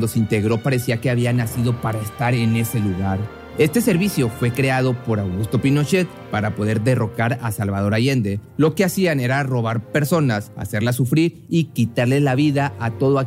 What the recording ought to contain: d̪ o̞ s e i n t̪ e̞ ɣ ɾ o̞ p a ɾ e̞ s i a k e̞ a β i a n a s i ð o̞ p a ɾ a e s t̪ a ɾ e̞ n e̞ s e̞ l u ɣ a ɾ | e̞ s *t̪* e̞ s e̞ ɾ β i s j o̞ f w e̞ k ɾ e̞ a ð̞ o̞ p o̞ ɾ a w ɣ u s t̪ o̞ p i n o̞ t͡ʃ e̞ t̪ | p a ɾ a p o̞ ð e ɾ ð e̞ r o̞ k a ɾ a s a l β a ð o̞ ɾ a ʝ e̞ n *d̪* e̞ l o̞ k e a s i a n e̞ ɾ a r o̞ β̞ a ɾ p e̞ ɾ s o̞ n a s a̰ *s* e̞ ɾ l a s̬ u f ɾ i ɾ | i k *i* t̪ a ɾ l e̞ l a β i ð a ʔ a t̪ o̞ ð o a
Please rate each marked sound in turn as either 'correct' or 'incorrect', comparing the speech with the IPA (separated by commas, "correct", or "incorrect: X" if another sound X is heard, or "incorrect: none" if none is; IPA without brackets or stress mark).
correct, correct, correct, correct